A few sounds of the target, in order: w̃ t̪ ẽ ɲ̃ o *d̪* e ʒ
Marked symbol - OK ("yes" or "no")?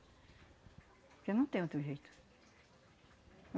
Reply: no